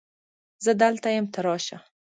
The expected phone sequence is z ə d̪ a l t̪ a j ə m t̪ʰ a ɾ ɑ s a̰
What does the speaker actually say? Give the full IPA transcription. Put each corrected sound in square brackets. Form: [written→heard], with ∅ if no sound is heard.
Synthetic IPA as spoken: z ə d̪ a l t̪ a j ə m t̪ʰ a ɾ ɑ [s→ʃ] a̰